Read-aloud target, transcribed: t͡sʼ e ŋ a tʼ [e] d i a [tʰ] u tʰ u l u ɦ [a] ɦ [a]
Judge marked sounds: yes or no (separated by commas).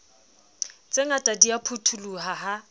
no, no, yes, yes